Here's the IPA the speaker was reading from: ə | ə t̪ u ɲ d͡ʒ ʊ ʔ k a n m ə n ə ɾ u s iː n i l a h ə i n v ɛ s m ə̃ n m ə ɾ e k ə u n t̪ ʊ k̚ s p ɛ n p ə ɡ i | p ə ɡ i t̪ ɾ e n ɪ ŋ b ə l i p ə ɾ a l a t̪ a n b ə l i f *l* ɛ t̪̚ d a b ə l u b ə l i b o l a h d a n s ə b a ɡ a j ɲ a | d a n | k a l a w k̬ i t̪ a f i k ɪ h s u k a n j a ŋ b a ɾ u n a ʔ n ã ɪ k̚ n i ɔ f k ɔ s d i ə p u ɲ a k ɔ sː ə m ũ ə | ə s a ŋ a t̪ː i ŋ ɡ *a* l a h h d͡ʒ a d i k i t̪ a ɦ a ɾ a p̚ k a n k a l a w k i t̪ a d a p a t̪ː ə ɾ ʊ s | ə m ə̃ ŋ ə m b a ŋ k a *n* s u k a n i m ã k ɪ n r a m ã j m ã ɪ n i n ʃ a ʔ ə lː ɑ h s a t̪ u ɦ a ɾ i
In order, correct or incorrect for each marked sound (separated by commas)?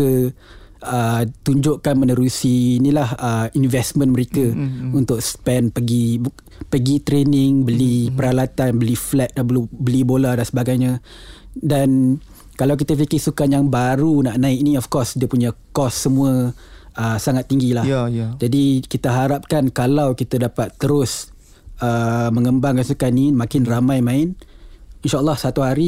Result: correct, incorrect, correct